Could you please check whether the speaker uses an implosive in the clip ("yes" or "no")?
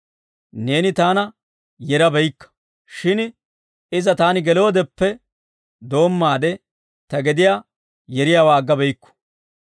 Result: no